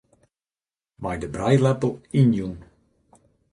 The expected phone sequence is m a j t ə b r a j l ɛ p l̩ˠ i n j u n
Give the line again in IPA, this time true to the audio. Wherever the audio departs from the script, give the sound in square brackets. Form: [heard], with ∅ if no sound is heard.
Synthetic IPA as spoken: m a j [d] ə b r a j l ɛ p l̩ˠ i n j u n